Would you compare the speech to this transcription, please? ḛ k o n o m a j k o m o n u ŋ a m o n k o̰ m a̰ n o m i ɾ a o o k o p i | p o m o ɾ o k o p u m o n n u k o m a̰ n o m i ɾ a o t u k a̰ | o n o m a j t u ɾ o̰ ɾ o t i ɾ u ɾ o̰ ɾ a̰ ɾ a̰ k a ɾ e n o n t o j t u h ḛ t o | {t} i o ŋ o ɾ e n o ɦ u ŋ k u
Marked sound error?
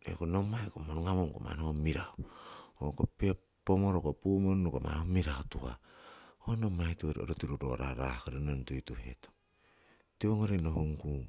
no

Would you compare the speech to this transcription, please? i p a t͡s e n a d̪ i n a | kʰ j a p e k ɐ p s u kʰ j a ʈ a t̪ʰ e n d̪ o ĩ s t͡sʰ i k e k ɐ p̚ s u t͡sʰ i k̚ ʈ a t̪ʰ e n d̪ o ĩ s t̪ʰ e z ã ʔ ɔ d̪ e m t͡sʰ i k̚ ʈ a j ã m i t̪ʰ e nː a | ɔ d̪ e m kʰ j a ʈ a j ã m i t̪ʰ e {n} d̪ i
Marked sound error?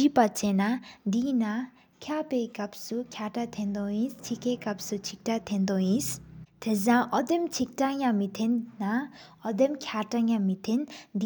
no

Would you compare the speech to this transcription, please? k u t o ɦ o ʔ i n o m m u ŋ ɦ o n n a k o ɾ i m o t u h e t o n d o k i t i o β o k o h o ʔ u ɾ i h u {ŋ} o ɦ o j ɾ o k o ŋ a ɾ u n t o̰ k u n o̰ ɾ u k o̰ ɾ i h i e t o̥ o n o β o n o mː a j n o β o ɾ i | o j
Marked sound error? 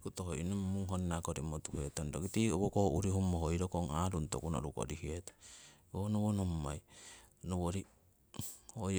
yes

